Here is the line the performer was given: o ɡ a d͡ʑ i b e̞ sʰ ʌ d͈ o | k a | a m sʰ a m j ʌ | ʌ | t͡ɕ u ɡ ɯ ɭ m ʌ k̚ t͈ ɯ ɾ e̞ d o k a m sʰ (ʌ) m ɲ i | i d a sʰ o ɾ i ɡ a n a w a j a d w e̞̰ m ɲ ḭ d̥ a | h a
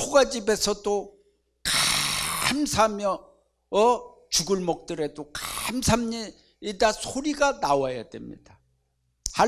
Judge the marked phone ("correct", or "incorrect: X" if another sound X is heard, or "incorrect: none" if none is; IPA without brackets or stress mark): incorrect: a